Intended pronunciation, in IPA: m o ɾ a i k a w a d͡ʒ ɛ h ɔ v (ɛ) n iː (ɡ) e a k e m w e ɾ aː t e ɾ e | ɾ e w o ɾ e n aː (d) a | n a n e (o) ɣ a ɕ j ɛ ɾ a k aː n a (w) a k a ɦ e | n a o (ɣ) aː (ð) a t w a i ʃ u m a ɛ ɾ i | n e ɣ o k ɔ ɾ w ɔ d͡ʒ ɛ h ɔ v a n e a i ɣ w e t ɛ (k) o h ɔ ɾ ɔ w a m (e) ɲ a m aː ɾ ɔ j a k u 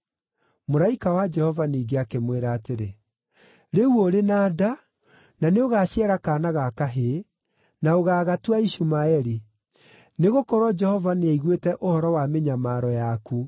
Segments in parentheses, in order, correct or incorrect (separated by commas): incorrect, correct, correct, correct, incorrect, correct, incorrect, incorrect, correct